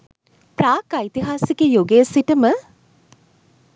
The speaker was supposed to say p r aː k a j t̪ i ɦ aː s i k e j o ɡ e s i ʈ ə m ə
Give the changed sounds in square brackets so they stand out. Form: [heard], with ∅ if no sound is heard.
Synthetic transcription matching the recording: p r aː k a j t̪ i ɦ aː s i k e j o ɡ e s i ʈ ə m ə